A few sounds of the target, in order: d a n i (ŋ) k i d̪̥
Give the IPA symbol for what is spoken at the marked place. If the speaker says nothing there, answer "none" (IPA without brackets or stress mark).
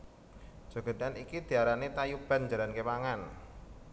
none